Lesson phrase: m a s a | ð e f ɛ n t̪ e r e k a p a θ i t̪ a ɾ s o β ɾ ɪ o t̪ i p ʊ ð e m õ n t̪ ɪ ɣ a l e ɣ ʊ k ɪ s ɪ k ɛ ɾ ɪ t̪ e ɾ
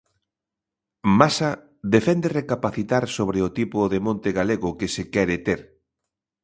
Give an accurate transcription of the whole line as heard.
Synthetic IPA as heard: m a s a | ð e f ɛ n d̪ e r e k a p a θ i t̪ a ɾ s o β ɾ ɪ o t̪ i p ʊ ð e m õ n t̪ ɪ ɣ a l e ɣ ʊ k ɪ s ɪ k ɛ ɾ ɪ t̪ e ɾ